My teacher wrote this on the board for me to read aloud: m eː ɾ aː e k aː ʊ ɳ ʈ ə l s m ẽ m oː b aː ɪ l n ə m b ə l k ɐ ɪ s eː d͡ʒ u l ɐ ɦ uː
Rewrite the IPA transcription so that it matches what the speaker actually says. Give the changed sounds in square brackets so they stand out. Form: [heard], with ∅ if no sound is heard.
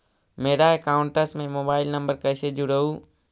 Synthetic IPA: m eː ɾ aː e k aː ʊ ɳ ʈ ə [∅] s m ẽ m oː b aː ɪ l n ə m b ə [ɾ] k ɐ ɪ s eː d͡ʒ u [ɾ] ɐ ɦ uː